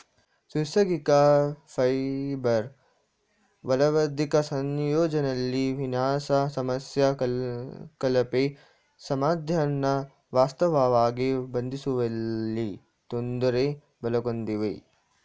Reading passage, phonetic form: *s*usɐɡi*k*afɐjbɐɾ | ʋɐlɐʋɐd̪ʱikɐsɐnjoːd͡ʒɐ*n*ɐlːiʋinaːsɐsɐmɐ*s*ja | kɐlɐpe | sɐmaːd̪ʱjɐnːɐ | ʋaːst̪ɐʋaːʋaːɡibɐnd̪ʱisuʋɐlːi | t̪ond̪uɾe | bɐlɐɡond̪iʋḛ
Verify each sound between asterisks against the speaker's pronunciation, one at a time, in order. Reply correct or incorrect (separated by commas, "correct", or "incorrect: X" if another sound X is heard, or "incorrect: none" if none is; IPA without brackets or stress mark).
correct, correct, correct, correct